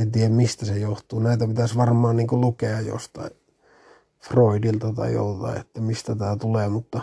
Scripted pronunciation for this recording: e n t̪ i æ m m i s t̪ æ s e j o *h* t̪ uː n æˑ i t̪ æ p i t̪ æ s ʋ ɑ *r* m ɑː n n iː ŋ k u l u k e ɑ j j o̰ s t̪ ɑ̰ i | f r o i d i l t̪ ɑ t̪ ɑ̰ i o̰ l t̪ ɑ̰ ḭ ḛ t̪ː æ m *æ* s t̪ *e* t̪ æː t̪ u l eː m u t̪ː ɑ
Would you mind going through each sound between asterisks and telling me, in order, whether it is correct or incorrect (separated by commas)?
correct, correct, incorrect, incorrect